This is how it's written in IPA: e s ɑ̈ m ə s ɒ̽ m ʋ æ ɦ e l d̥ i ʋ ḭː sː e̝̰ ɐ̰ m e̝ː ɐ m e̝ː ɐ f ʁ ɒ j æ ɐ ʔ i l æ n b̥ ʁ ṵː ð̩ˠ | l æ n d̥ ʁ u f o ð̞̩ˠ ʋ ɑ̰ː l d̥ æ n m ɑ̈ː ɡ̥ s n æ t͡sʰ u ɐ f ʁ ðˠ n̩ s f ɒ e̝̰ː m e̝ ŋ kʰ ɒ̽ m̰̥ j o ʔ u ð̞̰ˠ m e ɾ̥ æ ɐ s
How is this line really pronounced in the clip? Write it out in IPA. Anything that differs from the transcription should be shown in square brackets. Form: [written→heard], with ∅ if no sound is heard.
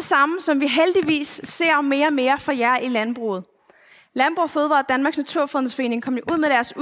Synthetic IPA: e s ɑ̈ m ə s ɒ̽ m ʋ [æ→i] ɦ e l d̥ i ʋ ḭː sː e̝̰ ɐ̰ m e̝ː ɐ m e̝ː ɐ f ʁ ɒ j æ ɐ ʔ i l æ n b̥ ʁ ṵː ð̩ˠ | l æ n [d̥→b̥] ʁ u f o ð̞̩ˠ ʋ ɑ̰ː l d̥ æ n m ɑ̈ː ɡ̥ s n æ t͡sʰ u ɐ f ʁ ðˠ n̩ s f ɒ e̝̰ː [m→n] e̝ ŋ kʰ ɒ̽ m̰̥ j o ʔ u ð̞̰ˠ m e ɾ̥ æ ɐ s